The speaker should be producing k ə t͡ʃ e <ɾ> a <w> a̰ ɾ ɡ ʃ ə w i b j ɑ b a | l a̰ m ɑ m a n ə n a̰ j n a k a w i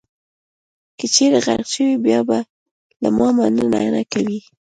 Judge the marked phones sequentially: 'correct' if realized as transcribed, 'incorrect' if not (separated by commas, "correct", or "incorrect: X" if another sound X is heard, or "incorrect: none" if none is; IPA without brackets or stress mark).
correct, incorrect: ɣ